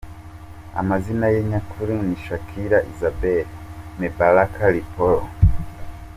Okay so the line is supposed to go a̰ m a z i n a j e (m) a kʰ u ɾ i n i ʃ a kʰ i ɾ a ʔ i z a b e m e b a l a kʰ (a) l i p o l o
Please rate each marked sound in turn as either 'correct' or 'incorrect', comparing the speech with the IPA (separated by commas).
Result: incorrect, correct